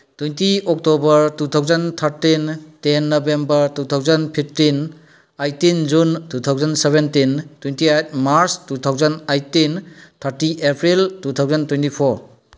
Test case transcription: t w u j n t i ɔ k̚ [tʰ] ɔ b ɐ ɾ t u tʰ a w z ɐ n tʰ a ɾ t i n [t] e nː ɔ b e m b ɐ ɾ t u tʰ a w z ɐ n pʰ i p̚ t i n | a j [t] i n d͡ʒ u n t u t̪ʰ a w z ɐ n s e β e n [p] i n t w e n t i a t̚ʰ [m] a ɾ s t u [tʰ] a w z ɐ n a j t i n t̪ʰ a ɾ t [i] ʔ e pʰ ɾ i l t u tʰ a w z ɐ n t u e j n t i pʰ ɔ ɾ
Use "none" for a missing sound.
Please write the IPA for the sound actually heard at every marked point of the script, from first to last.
t, t, t, t, m, tʰ, i

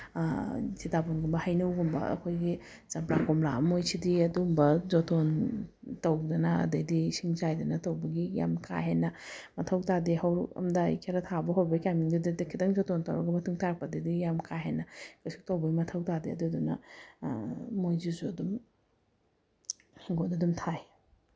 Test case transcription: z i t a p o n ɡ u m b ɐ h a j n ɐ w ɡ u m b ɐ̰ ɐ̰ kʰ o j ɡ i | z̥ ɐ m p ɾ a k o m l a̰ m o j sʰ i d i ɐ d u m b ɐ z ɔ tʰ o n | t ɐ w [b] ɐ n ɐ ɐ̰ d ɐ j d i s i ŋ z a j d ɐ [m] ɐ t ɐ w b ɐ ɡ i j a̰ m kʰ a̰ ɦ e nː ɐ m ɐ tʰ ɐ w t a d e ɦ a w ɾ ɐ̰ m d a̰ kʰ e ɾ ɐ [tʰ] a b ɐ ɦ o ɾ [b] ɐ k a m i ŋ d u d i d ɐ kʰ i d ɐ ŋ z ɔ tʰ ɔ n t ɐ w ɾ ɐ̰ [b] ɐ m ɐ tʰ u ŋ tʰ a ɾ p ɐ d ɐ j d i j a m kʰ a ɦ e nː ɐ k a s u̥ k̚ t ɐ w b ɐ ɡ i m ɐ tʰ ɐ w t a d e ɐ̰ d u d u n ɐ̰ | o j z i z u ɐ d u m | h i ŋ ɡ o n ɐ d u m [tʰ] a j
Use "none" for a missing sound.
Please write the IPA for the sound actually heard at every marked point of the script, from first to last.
d, n, tʰ, b, ɡ, tʰ

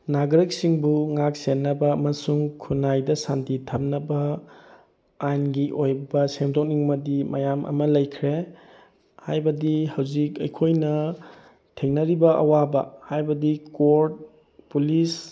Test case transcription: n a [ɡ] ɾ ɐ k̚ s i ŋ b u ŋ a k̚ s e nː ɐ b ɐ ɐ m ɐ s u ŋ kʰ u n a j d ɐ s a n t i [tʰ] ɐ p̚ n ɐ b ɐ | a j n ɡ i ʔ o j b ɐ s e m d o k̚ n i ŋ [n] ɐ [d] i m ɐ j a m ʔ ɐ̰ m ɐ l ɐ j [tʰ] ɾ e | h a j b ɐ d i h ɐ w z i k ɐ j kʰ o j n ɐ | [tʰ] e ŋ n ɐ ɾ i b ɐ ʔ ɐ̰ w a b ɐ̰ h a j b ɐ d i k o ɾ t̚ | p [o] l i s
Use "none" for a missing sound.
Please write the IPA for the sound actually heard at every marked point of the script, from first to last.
ɡ, tʰ, m, d, kʰ, tʰ, u

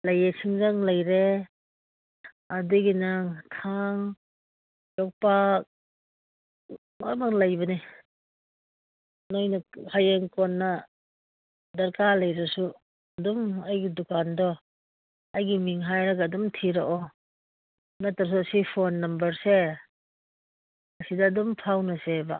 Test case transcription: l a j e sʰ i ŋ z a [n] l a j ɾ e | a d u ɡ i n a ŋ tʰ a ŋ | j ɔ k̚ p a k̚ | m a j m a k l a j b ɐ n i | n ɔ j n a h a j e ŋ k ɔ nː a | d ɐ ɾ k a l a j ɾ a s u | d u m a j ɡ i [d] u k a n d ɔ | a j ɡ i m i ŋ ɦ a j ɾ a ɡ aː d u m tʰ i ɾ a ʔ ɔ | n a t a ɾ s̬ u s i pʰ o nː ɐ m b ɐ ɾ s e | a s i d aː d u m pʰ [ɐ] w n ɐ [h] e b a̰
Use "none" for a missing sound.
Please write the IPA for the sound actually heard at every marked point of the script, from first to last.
ŋ, d, a, s

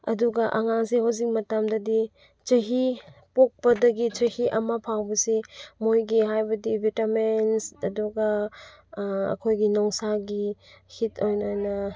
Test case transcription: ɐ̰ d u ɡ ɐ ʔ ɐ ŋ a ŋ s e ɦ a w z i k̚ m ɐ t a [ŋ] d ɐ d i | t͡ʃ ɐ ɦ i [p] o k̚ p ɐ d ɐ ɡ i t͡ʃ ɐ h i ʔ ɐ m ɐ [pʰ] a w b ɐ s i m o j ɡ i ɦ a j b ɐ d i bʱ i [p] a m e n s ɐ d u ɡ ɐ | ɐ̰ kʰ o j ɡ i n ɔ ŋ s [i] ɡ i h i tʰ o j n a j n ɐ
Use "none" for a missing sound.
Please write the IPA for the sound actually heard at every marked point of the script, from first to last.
m, p, pʰ, t, a

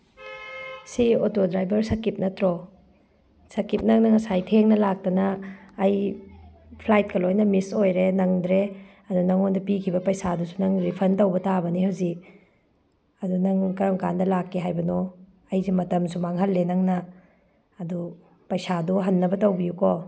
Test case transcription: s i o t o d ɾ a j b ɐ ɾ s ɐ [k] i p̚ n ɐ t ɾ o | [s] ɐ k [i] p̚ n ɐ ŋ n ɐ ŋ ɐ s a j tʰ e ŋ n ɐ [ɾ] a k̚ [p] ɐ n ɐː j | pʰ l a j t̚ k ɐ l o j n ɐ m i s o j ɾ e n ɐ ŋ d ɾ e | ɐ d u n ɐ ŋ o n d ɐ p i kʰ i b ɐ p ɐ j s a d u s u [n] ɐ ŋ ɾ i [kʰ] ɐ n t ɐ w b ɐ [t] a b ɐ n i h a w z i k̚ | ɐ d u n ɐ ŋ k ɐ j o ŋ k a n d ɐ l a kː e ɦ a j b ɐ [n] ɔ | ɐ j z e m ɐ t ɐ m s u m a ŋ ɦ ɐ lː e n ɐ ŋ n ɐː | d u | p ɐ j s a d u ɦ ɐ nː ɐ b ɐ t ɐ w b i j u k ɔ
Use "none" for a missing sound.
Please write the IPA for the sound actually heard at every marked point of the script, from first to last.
k, s, i, l, t, n, pʰ, t, n

